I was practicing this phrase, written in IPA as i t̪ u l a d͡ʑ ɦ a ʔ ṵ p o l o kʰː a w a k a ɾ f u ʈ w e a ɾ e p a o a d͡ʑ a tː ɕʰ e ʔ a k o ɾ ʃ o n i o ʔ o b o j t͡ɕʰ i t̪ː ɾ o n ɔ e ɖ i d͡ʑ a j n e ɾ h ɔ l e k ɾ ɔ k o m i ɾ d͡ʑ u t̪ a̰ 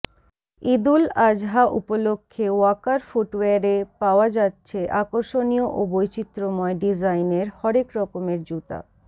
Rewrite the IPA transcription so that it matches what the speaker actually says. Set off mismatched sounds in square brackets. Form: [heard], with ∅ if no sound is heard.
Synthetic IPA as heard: i [d̪] u l a d͡ʑ ɦ a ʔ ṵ p o l o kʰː [e] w a k a ɾ f u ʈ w e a ɾ e p a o a d͡ʑ a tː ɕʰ e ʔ a k o ɾ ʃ o n i o ʔ o b o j [t͡ɕ] i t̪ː ɾ o [m] ɔ e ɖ i d͡ʑ a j n e ɾ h ɔ [ɾ] e k ɾ ɔ k o m [e] ɾ d͡ʑ u t̪ a̰